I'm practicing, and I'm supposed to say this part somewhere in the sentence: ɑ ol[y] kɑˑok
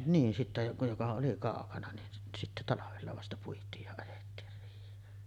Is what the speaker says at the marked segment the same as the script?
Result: no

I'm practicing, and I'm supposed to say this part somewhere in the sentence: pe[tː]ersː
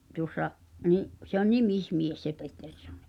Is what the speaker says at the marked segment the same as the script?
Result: yes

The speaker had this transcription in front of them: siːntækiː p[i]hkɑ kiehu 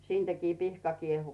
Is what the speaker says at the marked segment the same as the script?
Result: yes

